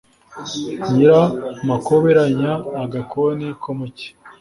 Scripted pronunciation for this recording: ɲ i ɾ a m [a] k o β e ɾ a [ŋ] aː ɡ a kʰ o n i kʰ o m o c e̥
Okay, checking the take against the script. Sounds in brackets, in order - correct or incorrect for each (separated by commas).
correct, incorrect